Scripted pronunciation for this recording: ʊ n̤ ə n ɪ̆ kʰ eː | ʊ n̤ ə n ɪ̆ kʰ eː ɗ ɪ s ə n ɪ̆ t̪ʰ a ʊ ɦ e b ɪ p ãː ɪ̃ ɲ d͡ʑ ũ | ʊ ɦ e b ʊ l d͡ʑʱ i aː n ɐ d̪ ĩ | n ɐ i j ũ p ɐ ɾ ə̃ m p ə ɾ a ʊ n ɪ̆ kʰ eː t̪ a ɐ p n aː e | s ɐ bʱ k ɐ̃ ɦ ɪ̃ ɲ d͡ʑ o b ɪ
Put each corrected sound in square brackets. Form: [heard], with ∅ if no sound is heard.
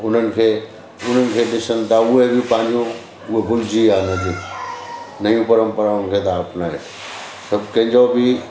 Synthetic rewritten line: ʊ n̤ ə n ɪ̆ kʰ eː | ʊ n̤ ə n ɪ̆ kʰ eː ɗ ɪ s ə n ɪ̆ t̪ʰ a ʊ ɦ e b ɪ p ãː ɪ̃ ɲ d͡ʑ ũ | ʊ ɦ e b ʊ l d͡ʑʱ i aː n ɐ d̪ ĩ | n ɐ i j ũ p ɐ ɾ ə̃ m p ə ɾ a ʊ n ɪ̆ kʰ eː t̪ a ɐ p n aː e | s ɐ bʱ k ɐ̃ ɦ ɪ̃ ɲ d͡ʑ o b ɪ